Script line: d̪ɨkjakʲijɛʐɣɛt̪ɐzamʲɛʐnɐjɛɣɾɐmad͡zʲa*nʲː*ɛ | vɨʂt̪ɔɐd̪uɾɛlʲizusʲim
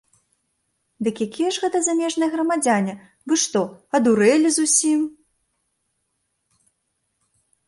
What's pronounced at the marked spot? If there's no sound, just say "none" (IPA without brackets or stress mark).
nʲ